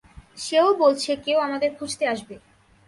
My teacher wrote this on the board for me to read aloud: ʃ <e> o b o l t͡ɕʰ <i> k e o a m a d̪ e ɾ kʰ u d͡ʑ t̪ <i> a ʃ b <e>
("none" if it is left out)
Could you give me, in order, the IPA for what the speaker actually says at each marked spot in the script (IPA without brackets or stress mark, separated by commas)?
e, e, e, e